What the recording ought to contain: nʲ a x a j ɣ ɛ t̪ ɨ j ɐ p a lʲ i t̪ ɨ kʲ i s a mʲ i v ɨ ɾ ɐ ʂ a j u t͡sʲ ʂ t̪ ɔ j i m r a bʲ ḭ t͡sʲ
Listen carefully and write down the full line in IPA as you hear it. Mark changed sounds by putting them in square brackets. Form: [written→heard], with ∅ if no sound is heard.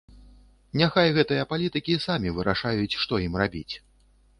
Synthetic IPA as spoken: nʲ a x a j ɣ ɛ t̪ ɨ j ɐ p a lʲ i t̪ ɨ kʲ i s a mʲ i v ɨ ɾ [ɐ→a] ʂ a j u t͡sʲ ʂ t̪ ɔ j i m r a bʲ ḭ t͡sʲ